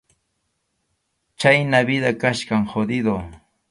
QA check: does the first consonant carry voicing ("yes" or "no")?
no